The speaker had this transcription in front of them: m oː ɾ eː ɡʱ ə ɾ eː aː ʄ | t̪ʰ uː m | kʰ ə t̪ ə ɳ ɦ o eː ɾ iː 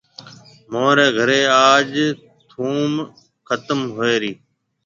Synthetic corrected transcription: m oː ɾ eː ɡʱ ə ɾ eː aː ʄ | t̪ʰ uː m | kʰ ə t̪ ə m ɦ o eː ɾ iː